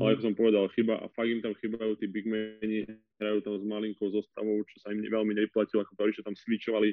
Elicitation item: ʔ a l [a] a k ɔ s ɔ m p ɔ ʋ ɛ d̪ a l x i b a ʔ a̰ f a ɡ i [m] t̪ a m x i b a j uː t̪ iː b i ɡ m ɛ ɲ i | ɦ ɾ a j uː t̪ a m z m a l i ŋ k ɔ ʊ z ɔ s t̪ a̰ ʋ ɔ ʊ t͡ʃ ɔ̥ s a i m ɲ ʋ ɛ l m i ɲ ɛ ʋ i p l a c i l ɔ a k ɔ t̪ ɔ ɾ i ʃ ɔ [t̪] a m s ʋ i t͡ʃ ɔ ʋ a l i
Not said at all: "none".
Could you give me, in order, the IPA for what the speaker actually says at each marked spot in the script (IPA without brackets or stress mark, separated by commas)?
ɛ, m, t̪